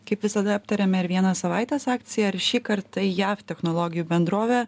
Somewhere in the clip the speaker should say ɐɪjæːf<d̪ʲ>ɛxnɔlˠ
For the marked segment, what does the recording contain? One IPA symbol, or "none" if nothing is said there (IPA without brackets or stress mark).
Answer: t̪ʲ